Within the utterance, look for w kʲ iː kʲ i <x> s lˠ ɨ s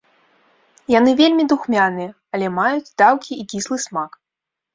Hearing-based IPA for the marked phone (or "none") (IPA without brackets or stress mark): none